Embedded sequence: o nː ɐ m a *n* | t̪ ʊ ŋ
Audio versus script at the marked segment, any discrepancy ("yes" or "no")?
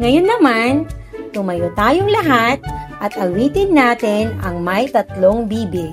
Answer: no